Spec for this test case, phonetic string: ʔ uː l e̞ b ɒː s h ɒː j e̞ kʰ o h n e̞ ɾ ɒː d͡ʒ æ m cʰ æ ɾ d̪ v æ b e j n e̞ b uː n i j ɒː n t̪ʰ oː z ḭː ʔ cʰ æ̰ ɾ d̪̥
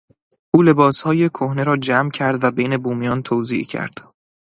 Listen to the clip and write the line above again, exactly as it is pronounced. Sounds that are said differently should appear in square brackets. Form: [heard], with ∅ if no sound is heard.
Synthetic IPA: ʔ uː l e̞ b ɒː s h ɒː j e̞ kʰ o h n e̞ ɾ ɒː d͡ʒ æ m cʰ æ ɾ d̪ v æ b e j n e̞ b uː [m] i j ɒː n t̪ʰ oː z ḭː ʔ cʰ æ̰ ɾ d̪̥